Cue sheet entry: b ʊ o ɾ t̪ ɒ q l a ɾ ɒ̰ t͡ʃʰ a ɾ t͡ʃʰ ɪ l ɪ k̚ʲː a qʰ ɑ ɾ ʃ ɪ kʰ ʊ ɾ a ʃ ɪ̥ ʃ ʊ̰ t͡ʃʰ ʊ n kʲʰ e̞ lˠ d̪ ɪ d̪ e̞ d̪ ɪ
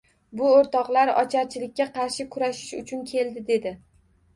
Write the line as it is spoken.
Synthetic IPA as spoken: b ʊ o ɾ t̪ ɒ q l a ɾ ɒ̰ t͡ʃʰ a ɾ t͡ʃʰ ɪ l ɪ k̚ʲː a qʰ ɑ ɾ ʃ ɪ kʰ ʊ ɾ a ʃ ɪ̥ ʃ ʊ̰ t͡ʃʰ ʊ n kʲʰ e̞ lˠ d̪ ɪ d̪ e̞ d̪ ɪ

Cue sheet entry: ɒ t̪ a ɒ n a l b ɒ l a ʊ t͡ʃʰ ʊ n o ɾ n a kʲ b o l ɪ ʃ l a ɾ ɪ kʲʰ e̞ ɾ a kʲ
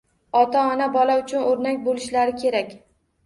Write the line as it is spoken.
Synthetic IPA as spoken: ɒ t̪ a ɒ n a b ɒ l a ʊ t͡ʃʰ ʊ n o ɾ n a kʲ b o l ɪ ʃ l a ɾ ɪ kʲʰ e̞ ɾ a kʲ

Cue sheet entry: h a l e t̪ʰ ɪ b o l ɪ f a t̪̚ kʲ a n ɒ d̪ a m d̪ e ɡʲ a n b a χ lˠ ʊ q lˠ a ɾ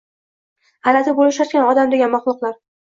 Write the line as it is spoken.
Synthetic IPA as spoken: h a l a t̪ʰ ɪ b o l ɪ ʃ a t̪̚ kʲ a n ɒ d̪ a m d̪ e ɡʲ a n m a χ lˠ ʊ q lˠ a ɾ

